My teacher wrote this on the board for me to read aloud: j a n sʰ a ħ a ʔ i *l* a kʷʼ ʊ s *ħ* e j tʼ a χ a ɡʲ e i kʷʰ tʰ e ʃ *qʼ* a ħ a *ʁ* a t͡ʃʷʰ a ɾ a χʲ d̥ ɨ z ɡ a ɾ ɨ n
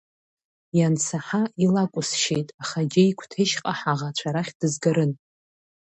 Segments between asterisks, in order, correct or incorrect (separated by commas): correct, incorrect, correct, correct